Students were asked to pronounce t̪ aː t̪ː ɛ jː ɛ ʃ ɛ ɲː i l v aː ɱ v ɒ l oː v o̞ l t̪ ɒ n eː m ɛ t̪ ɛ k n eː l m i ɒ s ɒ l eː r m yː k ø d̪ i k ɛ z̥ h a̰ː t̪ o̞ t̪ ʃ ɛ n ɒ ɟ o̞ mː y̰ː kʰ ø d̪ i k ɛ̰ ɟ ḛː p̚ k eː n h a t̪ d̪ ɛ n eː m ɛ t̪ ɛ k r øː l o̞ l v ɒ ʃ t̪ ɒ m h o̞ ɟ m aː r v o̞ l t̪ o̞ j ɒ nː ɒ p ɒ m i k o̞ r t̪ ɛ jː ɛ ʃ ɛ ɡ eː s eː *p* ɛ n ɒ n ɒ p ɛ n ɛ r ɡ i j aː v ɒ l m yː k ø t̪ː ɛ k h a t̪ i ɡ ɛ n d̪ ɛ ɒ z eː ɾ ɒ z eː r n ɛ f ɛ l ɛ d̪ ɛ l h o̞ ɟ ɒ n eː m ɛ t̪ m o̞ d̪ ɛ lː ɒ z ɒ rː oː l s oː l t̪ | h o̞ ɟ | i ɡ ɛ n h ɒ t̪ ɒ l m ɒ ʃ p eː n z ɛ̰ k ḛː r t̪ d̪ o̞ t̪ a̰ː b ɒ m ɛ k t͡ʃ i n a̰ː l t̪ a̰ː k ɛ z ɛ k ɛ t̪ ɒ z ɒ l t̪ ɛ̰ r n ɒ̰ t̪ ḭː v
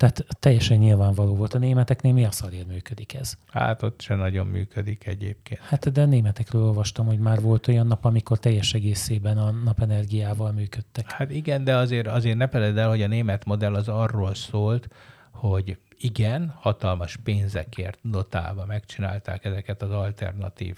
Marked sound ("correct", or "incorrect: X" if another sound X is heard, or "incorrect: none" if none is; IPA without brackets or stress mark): incorrect: b